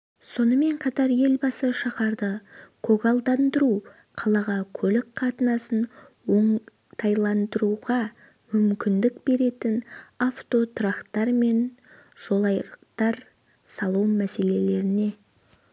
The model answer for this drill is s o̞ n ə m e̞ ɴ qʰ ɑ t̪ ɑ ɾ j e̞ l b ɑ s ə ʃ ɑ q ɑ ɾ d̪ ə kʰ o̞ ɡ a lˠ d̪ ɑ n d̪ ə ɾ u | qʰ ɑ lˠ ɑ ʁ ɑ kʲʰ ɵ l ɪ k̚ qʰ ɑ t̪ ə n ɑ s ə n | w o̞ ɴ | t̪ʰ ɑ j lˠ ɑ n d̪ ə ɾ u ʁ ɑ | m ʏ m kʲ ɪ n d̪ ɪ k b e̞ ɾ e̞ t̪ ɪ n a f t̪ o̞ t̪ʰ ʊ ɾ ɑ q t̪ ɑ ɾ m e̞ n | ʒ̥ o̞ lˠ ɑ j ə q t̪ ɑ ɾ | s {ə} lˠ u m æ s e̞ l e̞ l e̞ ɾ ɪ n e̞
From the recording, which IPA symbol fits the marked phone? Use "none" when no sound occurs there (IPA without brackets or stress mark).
ɑ